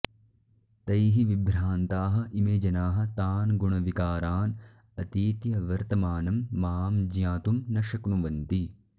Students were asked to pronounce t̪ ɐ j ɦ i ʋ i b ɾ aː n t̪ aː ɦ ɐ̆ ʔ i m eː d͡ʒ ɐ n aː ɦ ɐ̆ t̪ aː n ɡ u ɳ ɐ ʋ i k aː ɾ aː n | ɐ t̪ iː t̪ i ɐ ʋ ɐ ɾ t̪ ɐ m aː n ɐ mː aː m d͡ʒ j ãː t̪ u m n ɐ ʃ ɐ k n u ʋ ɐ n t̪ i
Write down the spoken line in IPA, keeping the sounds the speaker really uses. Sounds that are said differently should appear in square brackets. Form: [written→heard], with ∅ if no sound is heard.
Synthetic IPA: t̪ ɐ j ɦ i ʋ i b ɾ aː n t̪ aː ɦ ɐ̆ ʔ i m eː d͡ʒ ɐ n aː ɦ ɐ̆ t̪ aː n ɡ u ɳ ɐ ʋ i k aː ɾ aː n | ɐ t̪ iː t̪ [i→j] ɐ ʋ ɐ ɾ t̪ ɐ m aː n ɐ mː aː m d͡ʒ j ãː t̪ u m n ɐ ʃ ɐ k n u ʋ ɐ n t̪ i